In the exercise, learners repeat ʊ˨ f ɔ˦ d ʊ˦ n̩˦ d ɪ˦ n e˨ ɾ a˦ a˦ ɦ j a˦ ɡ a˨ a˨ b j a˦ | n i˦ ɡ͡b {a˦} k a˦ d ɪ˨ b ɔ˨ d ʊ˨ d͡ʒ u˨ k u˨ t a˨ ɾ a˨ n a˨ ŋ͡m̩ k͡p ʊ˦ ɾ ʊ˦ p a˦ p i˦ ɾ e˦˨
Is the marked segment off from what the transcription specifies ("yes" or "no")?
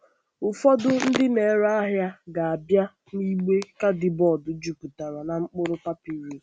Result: yes